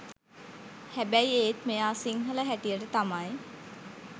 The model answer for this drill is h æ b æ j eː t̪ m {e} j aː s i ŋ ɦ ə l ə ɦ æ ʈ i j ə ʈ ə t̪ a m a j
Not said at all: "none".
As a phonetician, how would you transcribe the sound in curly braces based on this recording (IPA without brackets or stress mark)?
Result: e